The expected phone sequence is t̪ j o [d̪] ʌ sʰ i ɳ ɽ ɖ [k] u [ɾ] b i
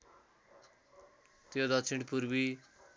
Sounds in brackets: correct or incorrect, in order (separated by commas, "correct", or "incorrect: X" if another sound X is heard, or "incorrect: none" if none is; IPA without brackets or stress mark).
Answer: correct, incorrect: p, correct